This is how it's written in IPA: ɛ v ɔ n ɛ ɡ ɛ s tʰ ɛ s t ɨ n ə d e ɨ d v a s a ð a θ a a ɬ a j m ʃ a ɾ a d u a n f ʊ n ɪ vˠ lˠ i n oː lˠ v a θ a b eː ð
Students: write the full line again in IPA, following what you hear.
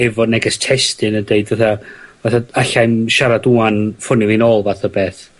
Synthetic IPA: ɛ v ɔ n ɛ ɡ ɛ s tʰ ɛ s t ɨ n ə d e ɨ d v a θ a v a θ a a ɬ a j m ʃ a ɾ a d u a n f ʊ n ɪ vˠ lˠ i n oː lˠ v a θ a b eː θ